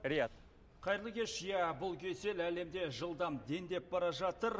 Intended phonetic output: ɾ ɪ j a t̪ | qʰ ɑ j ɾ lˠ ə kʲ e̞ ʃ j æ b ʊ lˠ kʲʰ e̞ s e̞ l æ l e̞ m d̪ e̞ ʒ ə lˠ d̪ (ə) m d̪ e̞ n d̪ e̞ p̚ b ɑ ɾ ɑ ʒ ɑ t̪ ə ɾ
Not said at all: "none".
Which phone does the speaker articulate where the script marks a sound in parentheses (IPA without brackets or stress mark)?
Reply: ɑ